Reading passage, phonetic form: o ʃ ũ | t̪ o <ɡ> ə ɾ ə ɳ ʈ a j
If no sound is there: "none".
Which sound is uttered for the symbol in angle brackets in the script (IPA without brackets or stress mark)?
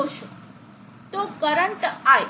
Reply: k